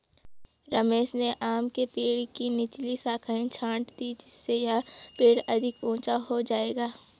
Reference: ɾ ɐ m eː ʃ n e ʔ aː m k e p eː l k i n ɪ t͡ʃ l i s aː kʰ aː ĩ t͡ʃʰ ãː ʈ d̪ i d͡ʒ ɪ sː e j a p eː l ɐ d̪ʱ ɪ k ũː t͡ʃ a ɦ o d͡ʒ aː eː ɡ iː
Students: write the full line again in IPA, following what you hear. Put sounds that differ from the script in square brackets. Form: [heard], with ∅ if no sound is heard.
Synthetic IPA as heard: ɾ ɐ m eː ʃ n e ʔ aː m k e p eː [ɽ] k i n ɪ t͡ʃ l i s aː kʰ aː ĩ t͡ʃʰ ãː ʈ d̪ i d͡ʒ ɪ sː e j a p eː [ɽ] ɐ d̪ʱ ɪ k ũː t͡ʃ a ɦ o d͡ʒ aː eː ɡ [aː]